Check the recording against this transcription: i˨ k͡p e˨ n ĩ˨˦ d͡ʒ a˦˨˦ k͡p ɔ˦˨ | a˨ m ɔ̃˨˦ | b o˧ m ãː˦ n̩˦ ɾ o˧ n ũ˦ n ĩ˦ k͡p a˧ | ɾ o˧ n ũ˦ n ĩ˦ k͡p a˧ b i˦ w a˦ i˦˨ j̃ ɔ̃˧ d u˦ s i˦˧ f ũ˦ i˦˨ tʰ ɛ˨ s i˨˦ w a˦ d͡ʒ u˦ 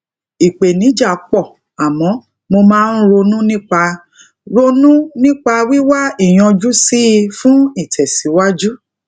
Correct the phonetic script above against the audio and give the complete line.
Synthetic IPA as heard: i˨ k͡p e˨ n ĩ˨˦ d͡ʒ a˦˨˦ k͡p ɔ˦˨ | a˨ m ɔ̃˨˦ | m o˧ m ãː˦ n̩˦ ɾ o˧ n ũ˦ n ĩ˦ k͡p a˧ | ɾ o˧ n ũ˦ n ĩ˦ k͡p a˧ w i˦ w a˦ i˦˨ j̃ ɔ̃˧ d͡ʒ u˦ s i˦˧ f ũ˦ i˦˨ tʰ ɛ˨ s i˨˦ w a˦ d͡ʒ u˦